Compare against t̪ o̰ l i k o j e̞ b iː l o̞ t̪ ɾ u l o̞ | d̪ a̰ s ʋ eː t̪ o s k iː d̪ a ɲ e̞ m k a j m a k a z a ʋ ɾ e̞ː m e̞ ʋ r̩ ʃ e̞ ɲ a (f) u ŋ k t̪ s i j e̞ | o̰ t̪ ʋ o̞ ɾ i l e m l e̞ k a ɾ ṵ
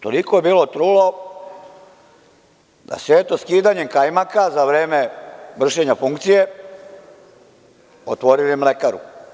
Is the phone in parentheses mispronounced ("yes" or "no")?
no